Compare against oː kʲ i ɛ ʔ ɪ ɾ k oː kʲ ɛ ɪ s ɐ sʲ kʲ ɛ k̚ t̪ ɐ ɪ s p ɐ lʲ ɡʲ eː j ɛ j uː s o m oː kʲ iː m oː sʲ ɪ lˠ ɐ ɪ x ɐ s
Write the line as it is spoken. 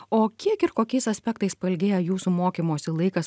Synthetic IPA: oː kʲ i ɛ k ɪ ɾ k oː kʲ ɛ ɪ s ɐ sʲ pʲ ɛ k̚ t̪ ɐ ɪ s p ɐ lʲ ɡʲ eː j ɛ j uː s u m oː kʲ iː m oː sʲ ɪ lˠ ɐ ɪ k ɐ s